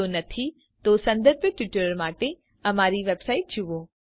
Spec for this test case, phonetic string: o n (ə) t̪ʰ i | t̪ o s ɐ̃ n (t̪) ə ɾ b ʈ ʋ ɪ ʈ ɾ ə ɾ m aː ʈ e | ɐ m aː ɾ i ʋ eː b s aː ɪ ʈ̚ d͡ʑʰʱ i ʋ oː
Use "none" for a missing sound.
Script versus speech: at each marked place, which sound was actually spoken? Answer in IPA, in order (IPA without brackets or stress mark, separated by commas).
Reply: ɐ, d̪